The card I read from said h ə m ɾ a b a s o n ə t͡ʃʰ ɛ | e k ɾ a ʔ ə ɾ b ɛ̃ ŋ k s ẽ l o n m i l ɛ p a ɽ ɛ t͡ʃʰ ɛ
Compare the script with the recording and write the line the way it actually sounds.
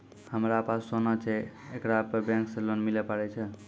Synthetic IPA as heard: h ə m ɾ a p a s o n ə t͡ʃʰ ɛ | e k ɾ a p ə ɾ b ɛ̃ ŋ k s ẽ l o n m i l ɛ p a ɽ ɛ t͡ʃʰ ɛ